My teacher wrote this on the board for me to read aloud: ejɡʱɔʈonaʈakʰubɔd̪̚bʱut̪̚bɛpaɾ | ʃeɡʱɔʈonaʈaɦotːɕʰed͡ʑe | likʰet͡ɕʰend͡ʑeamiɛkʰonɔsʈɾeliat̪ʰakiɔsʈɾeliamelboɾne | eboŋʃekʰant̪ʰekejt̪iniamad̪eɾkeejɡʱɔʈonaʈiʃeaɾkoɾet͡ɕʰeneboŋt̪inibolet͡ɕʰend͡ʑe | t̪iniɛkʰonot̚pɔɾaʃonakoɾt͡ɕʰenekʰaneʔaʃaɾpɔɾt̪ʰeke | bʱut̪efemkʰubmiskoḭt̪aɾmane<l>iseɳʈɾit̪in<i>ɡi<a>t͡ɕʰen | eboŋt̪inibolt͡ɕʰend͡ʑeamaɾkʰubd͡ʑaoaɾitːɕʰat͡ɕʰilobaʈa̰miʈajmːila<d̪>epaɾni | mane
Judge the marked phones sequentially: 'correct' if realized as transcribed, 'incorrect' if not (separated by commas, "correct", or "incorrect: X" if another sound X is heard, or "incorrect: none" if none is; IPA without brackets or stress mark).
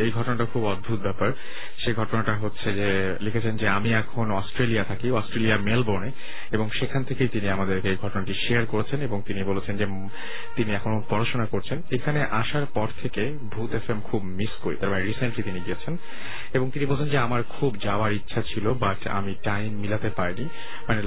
incorrect: ɾ, correct, incorrect: e, incorrect: t̪